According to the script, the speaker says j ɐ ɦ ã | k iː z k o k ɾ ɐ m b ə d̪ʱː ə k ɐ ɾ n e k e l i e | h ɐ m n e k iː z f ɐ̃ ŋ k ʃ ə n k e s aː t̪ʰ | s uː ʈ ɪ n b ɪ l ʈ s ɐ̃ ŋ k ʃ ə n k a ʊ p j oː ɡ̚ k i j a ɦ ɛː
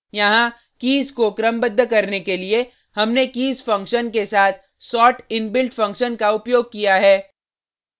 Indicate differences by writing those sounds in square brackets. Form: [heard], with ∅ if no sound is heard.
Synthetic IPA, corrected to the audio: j ɐ ɦ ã | k iː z k o k ɾ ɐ m b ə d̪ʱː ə k ɐ ɾ n e k e l i e | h ɐ m n e k iː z f ɐ̃ ŋ k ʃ ə n k e s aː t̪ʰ | s [ɔː] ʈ ɪ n b ɪ l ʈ [f] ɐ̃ ŋ k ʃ ə n k a ʊ p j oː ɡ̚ k i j a ɦ ɛː